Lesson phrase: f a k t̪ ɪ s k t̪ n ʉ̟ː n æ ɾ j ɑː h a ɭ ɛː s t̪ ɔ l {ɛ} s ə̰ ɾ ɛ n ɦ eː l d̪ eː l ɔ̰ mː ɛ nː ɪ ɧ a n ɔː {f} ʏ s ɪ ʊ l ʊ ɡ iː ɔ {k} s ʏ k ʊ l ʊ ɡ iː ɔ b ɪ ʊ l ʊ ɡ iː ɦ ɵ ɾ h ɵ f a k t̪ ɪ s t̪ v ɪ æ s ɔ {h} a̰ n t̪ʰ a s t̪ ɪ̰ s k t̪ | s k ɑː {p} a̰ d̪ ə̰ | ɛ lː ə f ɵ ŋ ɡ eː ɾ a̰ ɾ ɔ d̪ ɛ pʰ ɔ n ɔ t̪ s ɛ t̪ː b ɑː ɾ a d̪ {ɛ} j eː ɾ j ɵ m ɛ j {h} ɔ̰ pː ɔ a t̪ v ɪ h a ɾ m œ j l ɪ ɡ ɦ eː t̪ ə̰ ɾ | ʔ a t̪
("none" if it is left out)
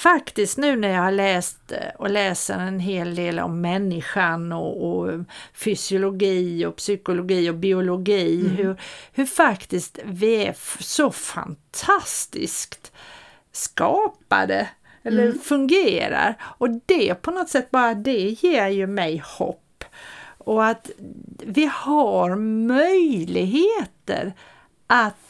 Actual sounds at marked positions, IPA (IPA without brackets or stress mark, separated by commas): ɛː, f, p, f, p, ɛ, h